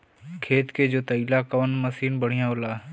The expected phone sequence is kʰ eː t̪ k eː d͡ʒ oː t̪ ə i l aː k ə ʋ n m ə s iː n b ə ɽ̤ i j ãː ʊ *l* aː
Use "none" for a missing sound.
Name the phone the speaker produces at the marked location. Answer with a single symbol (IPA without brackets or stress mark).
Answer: l